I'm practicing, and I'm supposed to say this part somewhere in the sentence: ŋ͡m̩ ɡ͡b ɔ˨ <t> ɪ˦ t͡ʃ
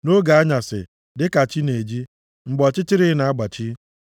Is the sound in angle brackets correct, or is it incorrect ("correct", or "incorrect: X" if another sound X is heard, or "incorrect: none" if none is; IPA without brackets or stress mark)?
incorrect: t͡ʃ